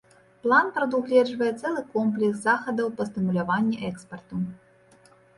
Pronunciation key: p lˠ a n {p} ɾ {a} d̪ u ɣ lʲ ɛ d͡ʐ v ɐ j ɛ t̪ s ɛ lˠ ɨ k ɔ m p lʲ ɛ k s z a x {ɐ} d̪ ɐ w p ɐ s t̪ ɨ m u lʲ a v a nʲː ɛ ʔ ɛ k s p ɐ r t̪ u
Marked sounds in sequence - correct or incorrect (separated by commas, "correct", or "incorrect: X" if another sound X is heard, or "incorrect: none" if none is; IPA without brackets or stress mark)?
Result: correct, incorrect: ɐ, correct